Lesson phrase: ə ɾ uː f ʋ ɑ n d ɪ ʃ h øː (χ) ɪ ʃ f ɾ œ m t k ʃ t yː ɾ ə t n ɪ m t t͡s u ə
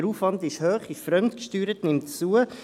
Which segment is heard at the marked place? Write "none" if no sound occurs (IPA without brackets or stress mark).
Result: χ